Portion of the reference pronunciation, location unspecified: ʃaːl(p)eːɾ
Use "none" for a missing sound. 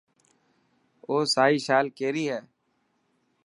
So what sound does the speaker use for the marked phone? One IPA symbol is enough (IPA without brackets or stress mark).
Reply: k